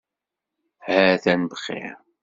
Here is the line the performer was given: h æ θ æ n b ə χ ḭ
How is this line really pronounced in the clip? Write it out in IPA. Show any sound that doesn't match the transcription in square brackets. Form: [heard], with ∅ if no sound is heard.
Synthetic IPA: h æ θ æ n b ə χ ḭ